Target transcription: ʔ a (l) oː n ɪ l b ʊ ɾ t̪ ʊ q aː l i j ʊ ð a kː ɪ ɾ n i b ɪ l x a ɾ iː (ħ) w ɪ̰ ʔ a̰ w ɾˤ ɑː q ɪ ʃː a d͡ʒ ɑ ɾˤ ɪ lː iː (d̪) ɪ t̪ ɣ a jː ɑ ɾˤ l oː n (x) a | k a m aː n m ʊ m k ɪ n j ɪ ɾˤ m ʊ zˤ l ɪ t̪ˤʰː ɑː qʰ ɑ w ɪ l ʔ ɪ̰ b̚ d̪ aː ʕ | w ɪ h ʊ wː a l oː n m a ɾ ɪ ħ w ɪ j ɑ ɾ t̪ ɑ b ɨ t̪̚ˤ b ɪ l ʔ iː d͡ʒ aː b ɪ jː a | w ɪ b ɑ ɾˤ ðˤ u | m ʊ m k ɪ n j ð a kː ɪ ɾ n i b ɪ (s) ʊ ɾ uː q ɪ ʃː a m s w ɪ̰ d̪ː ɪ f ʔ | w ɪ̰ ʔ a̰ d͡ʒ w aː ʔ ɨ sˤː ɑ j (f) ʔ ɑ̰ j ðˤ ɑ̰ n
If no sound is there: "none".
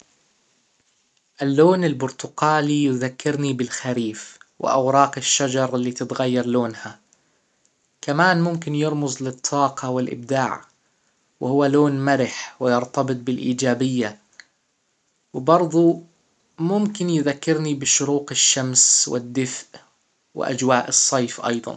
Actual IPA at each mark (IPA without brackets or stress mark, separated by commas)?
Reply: lː, f, t̪, h, ʃ, f